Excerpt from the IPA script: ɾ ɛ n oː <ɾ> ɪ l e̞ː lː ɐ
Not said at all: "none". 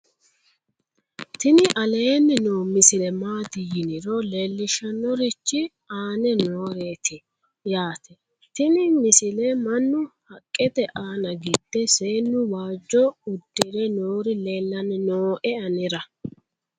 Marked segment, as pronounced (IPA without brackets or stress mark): ɾ